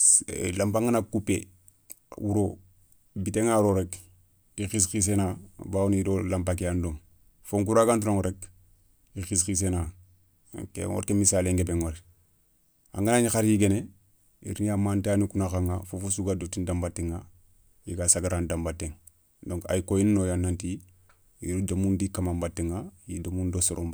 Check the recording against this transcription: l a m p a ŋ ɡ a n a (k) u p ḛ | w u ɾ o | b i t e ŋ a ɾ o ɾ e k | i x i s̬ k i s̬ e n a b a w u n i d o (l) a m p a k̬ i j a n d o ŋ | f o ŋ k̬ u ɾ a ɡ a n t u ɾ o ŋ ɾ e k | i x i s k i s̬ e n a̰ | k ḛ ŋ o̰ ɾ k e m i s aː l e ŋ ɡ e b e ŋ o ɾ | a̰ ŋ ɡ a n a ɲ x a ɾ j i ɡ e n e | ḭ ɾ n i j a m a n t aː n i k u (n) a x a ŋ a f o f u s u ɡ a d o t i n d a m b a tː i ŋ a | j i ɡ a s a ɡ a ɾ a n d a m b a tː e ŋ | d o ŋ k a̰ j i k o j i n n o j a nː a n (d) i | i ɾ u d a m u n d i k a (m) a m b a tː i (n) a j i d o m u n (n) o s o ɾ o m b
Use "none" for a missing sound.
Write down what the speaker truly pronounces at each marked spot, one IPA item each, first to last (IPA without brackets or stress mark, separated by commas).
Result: k, l, n, t, m, ŋ, d